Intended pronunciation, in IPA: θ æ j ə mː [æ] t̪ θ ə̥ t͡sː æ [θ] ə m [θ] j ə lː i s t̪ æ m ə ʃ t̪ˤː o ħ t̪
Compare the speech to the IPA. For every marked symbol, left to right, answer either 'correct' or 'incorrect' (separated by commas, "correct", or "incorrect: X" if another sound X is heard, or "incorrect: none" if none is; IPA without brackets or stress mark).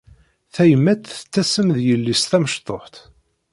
correct, incorrect: s, incorrect: ð